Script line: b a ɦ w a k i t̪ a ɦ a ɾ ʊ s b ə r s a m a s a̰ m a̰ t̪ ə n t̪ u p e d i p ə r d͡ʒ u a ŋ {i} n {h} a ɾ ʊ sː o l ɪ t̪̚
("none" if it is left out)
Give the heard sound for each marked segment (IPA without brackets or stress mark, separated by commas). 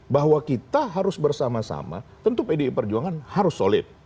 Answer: a, h